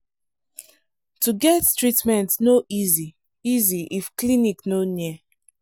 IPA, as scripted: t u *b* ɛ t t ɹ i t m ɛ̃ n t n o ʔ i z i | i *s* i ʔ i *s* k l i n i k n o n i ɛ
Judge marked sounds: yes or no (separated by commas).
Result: no, no, no